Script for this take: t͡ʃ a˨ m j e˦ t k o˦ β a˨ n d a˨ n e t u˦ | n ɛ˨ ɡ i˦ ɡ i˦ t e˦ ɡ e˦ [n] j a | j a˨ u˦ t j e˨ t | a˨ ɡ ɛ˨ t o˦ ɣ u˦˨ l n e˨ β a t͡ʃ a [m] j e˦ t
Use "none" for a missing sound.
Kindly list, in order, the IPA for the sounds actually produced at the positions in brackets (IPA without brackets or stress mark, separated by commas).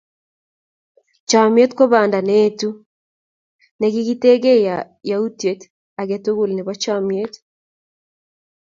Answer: none, m